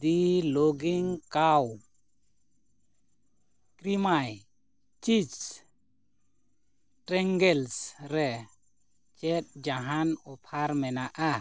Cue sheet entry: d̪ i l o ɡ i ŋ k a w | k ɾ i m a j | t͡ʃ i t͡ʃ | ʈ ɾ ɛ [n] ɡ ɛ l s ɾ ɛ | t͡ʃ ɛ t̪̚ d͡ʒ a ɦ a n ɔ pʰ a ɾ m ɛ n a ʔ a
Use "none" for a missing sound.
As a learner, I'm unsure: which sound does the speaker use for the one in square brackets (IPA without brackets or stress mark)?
ŋ